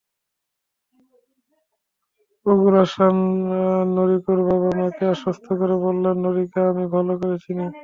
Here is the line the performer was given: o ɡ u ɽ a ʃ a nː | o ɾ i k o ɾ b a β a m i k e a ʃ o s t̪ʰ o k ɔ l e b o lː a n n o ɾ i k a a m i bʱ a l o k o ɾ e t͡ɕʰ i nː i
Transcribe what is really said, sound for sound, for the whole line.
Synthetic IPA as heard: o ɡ u ɾ a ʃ a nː | o ɾ i k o ɾ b a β a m a k e a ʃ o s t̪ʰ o k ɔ ɾ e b o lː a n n o ɾ i k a a m i bʱ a l o k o ɾ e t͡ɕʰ i n i